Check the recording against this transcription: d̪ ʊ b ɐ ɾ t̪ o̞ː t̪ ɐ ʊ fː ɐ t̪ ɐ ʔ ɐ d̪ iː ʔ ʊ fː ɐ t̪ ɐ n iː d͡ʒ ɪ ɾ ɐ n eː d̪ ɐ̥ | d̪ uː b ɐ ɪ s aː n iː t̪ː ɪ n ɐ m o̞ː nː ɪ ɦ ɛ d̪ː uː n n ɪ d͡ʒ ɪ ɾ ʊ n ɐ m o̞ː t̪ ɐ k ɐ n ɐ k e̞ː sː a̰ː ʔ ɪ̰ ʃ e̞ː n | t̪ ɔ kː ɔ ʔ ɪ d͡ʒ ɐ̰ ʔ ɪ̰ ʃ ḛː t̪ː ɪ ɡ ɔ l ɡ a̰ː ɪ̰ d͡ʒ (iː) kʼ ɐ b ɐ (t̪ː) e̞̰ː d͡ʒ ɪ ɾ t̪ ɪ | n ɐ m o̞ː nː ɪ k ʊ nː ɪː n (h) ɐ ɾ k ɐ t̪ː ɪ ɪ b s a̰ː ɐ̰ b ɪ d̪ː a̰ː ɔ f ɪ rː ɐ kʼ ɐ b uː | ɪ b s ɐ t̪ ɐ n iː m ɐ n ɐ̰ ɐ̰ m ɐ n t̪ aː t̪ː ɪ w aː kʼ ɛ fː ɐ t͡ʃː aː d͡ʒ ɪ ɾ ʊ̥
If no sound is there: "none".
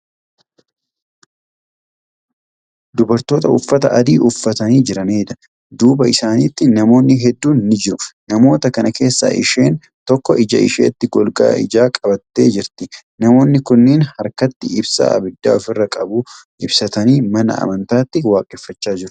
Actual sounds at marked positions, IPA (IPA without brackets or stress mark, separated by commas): aː, t̪ː, h